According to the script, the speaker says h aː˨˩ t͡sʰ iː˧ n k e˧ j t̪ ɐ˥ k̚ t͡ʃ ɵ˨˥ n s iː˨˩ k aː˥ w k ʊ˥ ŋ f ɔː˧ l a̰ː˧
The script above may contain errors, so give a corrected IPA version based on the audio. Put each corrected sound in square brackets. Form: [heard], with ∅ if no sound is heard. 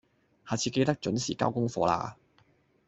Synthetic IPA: h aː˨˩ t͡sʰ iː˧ [∅] k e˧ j t̪ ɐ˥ k̚ t͡ʃ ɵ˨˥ n s iː˨˩ k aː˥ w k ʊ˥ ŋ f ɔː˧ l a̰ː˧